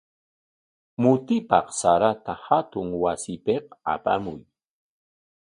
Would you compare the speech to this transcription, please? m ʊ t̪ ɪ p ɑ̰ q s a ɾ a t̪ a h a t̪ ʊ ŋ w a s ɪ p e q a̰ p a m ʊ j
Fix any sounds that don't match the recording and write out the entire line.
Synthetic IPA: m ʊ t̪ ɪ p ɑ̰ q s a ɾ a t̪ a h a t̪ ʊ ŋ w a s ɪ p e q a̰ p a m ʊ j

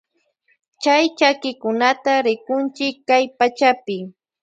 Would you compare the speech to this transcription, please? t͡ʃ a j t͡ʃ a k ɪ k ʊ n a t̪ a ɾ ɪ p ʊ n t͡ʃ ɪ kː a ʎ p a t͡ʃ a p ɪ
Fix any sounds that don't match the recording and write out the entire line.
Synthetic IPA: t͡ʃ a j t͡ʃ a k ɪ k ʊ n a t̪ a ɾ ɪ k ʊ n t͡ʃ ɪ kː a j p a t͡ʃ a p ɪ

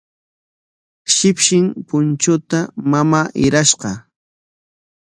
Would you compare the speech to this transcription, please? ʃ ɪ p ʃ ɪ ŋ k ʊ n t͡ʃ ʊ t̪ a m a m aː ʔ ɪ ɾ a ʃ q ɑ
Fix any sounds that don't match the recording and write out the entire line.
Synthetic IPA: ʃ ɪ p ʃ ɪ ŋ p ʊ n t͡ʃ ʊ t̪ a m a m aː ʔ ɪ ɾ a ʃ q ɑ

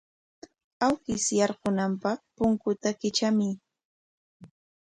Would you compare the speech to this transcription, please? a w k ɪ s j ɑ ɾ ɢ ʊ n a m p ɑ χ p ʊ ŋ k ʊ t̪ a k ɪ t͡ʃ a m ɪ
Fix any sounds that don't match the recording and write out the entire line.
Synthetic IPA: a w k ɪ s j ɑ ɾ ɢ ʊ n a m p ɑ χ p ʊ ŋ k ʊ t̪ a k ɪ t͡ʃ a m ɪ

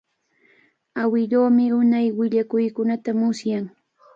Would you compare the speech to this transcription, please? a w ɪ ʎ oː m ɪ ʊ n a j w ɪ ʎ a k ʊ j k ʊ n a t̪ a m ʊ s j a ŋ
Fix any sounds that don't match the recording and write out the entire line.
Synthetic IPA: a w ɪ ʎ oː m ɪ ʊ n a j w ɪ ʎ a k ʊ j k ʊ n a t̪ a m ʊ s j a ŋ

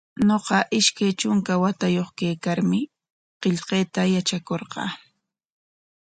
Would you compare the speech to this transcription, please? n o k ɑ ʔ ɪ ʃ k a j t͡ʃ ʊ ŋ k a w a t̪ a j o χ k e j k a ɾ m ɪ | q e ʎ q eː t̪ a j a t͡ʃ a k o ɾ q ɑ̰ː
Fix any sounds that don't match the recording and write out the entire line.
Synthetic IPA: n o q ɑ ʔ ɪ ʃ k a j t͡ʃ ʊ ŋ k a w a t̪ a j o χ k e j k a ɾ m ɪ | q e ʎ q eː t̪ a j a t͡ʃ a k o ɾ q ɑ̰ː

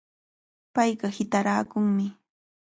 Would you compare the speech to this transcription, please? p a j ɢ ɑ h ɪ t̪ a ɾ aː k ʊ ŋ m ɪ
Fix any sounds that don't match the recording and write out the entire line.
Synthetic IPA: p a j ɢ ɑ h ɪ t̪ a ɾ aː k ʊ ŋ m ɪ

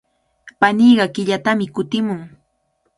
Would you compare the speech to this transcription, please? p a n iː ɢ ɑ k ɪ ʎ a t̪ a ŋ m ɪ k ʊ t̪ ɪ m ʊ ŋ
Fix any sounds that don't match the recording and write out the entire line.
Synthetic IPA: p a n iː ɢ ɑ k ɪ ʎ a t̪ a m ɪ k ʊ t̪ ɪ m ʊ ŋ

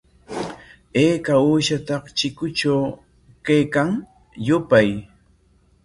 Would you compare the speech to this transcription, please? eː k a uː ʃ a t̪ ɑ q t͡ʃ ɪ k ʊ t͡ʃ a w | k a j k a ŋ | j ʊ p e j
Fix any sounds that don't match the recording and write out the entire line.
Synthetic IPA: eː k a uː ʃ a t̪ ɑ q t͡ʃ ɪ k ʊ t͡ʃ a w | k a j k a ŋ | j ʊ p a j

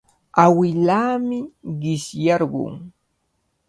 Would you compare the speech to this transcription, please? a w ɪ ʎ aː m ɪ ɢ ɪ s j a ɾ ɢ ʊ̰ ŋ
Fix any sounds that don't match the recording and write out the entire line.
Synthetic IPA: a w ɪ l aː m ɪ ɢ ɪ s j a ɾ ɢ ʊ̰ ŋ

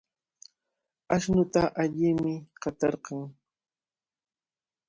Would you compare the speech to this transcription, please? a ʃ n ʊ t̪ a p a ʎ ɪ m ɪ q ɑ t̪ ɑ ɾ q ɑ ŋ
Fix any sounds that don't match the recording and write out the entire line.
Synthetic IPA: a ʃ n ʊ t̪ a ʔ a ʎ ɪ m ɪ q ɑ t̪ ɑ ɾ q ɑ ŋ

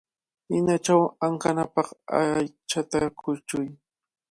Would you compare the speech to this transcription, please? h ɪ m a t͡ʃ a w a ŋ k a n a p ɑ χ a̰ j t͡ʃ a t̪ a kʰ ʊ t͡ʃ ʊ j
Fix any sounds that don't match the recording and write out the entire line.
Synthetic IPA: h ɪ n a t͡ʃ a w a ŋ k a n a p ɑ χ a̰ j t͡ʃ a t̪ a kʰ ʊ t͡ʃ ʊ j

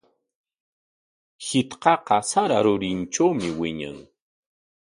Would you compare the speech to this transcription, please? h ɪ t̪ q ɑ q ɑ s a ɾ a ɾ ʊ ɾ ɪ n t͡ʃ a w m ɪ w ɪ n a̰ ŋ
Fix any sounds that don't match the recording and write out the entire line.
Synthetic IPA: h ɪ t̪ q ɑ q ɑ s a ɾ a ɾ ʊ ɾ ɪ n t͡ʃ a w m ɪ w ɪ ɲ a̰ ŋ

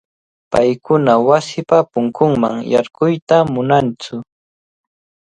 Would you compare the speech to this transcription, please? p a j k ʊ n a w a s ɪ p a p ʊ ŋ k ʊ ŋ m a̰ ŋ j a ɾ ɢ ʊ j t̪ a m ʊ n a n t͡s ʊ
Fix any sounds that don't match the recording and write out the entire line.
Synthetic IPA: p a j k ʊ n a w a s ɪ p a p ʊ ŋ k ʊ ŋ m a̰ ŋ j a ɾ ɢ ʊ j t̪ a m ʊ n a n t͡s ʊ

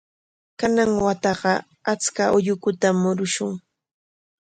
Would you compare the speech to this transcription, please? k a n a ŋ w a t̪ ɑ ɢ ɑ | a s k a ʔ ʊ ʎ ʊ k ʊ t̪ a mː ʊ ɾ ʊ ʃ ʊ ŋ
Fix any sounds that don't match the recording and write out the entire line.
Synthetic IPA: k a n a ŋ w a t̪ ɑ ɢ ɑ | a t͡s k a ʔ ʊ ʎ ʊ k ʊ t̪ a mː ʊ ɾ ʊ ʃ ʊ ŋ

